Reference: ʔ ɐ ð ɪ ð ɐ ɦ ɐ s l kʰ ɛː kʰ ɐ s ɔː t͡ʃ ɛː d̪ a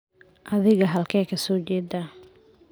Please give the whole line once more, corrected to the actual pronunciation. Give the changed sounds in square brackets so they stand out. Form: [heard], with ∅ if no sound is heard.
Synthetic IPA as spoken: ʔ ɐ ð ɪ [ɣ] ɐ ɦ ɐ [∅] l kʰ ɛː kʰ ɐ s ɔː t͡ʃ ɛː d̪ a